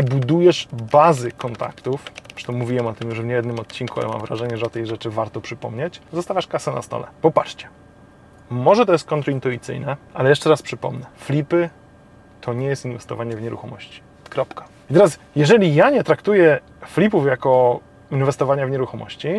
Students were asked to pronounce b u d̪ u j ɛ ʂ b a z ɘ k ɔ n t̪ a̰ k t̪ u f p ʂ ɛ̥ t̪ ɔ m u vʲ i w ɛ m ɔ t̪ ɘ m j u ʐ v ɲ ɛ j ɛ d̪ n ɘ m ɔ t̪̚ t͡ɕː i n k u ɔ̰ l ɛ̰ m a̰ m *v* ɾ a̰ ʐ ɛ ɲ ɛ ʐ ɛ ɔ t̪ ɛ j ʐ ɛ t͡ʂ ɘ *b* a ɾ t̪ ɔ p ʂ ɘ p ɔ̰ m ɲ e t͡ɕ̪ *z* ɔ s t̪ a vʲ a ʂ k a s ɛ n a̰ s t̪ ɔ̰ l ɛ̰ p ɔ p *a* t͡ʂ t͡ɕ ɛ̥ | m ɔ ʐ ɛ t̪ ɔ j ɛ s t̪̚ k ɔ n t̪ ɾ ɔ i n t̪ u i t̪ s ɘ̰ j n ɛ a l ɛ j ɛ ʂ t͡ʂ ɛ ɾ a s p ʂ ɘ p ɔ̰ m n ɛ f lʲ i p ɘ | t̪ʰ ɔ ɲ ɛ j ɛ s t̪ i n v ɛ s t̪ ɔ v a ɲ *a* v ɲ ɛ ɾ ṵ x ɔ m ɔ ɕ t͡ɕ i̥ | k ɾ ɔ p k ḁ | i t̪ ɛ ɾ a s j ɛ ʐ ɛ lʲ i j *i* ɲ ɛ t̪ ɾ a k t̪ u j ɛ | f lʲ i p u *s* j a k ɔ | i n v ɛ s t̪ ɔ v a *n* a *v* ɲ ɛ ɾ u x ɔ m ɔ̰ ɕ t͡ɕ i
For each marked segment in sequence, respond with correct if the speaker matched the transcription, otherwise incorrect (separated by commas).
correct, incorrect, correct, correct, incorrect, incorrect, incorrect, incorrect, correct